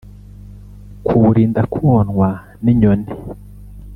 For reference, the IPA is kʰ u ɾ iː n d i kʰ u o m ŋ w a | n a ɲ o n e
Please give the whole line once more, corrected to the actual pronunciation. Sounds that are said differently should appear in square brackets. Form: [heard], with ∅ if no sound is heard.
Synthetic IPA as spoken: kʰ u ɾ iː n d [a] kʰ u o [n] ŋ w a | n [i] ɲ o n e